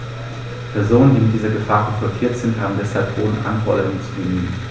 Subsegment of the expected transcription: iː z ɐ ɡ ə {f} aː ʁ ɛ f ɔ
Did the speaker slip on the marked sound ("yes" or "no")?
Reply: no